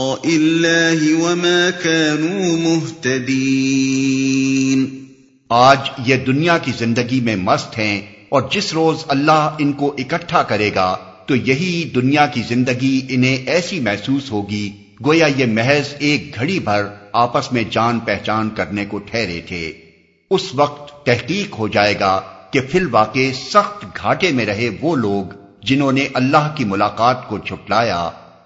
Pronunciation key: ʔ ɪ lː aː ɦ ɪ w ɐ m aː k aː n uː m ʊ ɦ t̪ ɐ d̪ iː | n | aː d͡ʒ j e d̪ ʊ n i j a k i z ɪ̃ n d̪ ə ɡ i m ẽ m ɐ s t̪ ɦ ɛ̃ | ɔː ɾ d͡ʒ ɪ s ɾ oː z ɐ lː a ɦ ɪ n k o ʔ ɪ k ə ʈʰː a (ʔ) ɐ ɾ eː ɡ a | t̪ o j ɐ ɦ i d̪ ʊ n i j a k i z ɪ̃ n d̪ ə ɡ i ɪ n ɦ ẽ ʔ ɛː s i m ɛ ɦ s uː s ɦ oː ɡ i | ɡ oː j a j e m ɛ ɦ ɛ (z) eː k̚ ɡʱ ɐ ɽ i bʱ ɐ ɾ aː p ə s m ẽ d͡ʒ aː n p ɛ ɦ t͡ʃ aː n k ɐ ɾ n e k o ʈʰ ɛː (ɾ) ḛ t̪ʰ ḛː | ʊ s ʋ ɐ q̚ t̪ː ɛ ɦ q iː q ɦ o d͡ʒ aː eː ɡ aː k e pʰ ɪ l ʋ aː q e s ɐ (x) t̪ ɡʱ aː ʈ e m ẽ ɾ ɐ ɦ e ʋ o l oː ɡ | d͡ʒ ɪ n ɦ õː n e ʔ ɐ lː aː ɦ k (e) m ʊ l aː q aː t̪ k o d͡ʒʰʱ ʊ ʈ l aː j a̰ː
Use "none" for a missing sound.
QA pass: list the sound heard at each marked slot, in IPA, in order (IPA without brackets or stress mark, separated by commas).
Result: k, z, ɾ, x, i